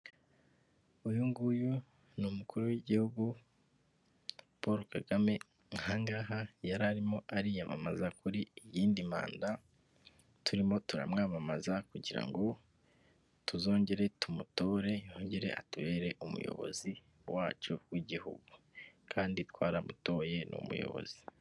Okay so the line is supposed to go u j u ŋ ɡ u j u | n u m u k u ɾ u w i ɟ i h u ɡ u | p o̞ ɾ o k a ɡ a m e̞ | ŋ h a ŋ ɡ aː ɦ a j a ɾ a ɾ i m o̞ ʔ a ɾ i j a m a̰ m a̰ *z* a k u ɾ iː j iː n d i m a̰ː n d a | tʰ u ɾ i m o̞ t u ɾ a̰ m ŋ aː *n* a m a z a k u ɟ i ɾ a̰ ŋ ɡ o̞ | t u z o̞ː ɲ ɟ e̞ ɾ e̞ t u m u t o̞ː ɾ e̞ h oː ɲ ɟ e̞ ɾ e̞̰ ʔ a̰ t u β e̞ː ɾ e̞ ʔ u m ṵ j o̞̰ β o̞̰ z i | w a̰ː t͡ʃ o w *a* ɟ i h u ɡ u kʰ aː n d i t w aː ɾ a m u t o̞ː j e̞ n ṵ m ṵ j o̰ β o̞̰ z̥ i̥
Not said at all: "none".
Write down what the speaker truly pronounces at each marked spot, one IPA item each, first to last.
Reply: z, m, i

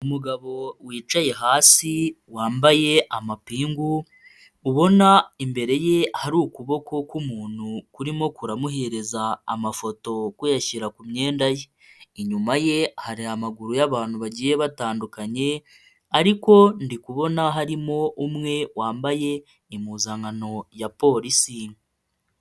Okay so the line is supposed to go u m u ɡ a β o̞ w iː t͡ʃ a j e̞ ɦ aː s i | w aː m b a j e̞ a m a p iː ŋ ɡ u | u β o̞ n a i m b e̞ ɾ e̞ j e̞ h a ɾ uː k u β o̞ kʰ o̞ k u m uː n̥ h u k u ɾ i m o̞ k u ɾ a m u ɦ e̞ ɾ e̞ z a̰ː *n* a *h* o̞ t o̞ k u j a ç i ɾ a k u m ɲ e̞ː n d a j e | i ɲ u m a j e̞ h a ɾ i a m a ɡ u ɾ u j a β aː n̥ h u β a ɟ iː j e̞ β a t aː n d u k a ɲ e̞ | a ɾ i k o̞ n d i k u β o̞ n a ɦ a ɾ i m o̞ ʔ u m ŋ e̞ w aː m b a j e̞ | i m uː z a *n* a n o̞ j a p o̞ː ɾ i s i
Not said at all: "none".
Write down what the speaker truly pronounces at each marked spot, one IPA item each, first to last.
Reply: m, f, ŋ

